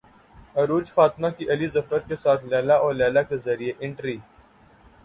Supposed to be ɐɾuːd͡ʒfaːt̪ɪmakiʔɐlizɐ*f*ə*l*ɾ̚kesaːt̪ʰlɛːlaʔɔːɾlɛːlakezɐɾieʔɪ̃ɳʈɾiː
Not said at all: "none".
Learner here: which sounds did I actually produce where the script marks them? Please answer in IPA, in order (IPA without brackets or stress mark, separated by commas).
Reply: f, none